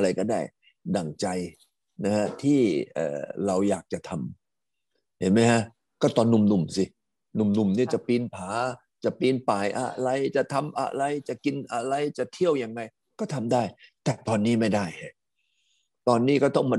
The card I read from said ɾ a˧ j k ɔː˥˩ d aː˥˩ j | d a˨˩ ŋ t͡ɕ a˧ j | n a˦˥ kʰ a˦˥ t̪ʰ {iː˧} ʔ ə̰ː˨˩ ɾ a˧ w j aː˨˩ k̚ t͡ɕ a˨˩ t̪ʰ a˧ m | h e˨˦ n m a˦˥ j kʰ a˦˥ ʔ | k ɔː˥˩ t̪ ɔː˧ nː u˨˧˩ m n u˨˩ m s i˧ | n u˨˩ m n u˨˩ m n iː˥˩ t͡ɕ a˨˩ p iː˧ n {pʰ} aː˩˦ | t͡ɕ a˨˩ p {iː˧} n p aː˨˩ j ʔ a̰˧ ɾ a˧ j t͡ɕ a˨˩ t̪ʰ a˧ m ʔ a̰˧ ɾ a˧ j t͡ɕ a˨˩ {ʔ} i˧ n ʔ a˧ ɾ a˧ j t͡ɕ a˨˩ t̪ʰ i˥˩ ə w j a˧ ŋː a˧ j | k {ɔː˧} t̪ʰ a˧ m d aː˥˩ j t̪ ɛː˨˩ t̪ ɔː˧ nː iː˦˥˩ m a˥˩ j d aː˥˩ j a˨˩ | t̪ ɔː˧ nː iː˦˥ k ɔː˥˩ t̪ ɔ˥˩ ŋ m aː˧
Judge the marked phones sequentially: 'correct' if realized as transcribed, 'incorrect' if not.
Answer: incorrect: iː˥˩, correct, correct, incorrect: k, incorrect: ɔː˥˩

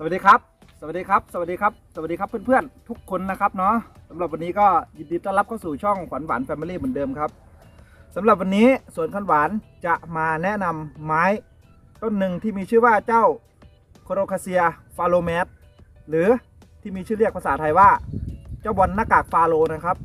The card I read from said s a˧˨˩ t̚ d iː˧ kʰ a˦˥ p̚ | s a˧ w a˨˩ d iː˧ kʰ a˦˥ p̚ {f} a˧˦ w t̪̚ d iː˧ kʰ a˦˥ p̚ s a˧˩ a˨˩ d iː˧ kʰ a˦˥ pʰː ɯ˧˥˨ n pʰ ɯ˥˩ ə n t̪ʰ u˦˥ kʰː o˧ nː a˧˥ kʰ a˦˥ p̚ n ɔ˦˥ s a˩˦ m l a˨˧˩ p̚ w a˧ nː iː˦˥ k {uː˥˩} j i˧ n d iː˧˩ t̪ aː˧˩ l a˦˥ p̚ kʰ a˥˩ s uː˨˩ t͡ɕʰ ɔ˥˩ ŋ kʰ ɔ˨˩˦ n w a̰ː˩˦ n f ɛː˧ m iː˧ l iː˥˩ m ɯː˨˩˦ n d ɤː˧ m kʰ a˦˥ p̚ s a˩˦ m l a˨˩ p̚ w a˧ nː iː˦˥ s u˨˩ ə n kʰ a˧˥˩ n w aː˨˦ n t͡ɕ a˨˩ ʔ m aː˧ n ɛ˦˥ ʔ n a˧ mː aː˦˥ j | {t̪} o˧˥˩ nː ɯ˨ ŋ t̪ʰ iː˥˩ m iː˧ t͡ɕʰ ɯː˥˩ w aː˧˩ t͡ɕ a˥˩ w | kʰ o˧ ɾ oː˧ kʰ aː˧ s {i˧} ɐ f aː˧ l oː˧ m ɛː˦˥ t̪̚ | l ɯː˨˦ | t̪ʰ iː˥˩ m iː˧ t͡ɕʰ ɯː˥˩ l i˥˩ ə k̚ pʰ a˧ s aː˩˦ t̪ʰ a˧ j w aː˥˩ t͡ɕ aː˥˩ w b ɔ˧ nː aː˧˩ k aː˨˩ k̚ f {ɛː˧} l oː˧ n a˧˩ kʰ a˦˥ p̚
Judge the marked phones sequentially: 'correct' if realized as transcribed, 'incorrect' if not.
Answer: incorrect: s, incorrect: ɔː˥˩, correct, correct, incorrect: aː˧

